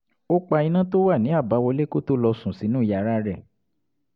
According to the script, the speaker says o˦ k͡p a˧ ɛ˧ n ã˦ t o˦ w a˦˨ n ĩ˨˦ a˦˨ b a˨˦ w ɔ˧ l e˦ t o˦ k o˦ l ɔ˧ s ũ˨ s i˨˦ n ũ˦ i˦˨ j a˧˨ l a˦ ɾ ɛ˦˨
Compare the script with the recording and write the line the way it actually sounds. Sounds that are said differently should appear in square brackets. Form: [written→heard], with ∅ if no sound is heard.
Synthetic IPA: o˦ k͡p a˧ [ɛ˧→i˧] n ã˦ t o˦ w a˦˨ n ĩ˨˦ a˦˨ b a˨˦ w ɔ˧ l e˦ [t→k] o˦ [k→t] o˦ l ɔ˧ s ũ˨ s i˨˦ n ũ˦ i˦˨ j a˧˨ [l→ɾ] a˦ ɾ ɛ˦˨